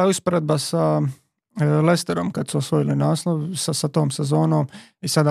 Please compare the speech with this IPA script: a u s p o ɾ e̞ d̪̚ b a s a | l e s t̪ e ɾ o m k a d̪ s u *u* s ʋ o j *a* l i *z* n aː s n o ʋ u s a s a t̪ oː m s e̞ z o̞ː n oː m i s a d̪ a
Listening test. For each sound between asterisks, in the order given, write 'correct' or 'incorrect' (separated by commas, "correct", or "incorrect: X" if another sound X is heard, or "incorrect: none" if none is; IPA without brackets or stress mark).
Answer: incorrect: o, incorrect: i, incorrect: none